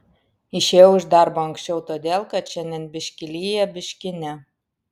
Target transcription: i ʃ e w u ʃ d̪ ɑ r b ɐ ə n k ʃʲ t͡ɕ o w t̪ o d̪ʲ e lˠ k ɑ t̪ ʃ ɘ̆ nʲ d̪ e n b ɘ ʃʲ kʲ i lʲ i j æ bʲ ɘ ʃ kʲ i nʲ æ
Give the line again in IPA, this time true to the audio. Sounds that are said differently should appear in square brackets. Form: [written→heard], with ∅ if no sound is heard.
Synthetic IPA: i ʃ e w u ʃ d̪ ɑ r b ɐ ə [n→ŋ] k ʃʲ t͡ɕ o w t̪ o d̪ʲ e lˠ k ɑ t̪ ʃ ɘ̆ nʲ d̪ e n b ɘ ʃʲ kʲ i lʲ i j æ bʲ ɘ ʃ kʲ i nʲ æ

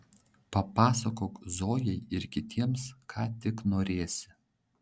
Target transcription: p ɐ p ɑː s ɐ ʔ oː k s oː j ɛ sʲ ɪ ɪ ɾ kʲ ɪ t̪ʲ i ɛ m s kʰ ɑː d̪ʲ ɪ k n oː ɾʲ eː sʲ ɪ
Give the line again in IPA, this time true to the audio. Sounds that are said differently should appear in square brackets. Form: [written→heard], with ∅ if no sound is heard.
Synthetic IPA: p ɐ p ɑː s ɐ [ʔ→k] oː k [s→z] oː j ɛ [sʲ→∅] ɪ ɪ ɾ kʲ ɪ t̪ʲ i ɛ m s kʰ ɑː [d̪ʲ→t̪ʲ] ɪ k n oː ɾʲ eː sʲ ɪ

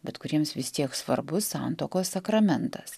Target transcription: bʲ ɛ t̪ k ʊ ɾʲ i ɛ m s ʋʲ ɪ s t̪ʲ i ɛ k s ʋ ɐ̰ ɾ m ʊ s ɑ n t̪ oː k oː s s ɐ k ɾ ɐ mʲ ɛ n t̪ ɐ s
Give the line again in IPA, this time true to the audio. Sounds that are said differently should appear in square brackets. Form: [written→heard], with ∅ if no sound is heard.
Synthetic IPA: bʲ ɛ t̪ k ʊ ɾʲ i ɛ m s ʋʲ ɪ s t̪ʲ i ɛ k s ʋ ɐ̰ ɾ [m→b] ʊ s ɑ n t̪ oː k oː s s ɐ k ɾ ɐ mʲ ɛ n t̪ ɐ s

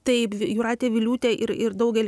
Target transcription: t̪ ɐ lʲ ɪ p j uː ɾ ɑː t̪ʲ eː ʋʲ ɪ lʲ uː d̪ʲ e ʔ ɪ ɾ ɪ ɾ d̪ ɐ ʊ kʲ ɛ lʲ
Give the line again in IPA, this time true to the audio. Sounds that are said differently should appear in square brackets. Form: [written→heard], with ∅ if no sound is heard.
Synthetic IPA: t̪ ɐ [lʲ→∅] ɪ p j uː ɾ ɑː t̪ʲ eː ʋʲ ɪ lʲ uː [d̪ʲ→t̪ʲ] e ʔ ɪ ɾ ɪ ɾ d̪ ɐ ʊ [kʲ→ɡʲ] ɛ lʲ

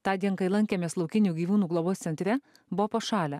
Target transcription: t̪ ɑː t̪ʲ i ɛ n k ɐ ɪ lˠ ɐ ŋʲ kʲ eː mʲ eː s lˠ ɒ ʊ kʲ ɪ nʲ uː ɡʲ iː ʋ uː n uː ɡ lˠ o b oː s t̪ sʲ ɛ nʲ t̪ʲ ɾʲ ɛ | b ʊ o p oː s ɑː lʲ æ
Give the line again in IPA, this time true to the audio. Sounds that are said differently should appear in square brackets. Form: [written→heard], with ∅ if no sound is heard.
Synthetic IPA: t̪ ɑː [t̪ʲ→d̪ʲ] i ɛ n k ɐ ɪ lˠ ɐ ŋʲ kʲ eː mʲ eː s lˠ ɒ ʊ kʲ ɪ nʲ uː ɡʲ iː ʋ uː n uː ɡ lˠ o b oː s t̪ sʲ ɛ nʲ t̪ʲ ɾʲ ɛ | b ʊ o p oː [s→ʃ] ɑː lʲ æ

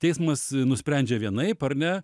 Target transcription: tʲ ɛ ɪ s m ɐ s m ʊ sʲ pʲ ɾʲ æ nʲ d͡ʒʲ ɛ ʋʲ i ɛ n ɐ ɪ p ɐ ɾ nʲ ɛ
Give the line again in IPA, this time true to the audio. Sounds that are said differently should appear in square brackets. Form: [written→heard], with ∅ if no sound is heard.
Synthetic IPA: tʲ ɛ ɪ s m ɐ s [m→n] ʊ sʲ pʲ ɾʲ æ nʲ d͡ʒʲ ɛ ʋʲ i ɛ n ɐ ɪ p ɐ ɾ nʲ ɛ

